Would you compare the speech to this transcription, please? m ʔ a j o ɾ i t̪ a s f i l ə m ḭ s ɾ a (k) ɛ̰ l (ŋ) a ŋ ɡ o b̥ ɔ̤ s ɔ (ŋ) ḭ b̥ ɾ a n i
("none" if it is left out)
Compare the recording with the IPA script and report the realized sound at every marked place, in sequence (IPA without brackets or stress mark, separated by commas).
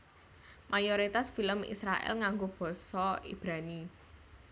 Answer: ʔ, ŋ, none